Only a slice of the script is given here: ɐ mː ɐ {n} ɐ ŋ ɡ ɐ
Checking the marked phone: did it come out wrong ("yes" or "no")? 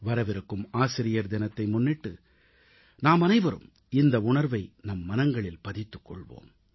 no